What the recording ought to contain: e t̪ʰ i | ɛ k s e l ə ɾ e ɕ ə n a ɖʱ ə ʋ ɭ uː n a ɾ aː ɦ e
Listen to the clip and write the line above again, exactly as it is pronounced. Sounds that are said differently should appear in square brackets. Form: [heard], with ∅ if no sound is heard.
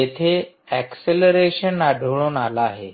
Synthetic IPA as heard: e t̪ʰ [e] | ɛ k s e l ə ɾ e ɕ ə n a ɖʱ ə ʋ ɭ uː n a [l] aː ɦ e